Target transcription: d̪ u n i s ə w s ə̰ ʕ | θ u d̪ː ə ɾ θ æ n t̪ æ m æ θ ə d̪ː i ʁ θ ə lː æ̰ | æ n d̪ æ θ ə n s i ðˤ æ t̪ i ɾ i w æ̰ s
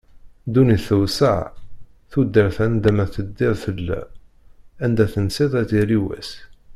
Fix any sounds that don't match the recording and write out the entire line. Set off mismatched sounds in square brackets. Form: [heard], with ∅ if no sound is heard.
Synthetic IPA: d̪ u n i [θ] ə w s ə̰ ʕ | θ u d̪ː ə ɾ θ æ n [d̪] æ m æ θ ə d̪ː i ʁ θ ə lː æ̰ | æ n d̪ æ θ ə n s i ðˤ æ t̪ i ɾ i w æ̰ s